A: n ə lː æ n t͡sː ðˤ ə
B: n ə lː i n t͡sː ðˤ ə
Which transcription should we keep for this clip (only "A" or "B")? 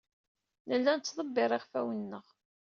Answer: A